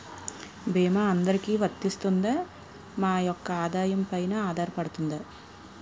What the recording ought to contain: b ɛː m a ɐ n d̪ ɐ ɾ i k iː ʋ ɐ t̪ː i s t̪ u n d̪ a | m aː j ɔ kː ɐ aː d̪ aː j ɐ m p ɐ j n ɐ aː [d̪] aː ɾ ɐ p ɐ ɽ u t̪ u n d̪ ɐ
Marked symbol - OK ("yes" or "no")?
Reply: yes